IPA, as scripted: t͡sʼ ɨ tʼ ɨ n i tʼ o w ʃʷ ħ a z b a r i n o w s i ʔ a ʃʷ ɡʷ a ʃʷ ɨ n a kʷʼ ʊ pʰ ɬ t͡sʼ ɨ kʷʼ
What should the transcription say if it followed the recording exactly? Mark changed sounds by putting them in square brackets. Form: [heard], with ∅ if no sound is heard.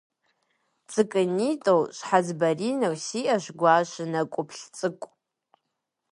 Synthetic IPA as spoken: t͡sʼ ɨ [kʼ] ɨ n i tʼ o w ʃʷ ħ a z b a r i n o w s i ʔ a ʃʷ ɡʷ a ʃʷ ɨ n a kʷʼ ʊ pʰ ɬ t͡sʼ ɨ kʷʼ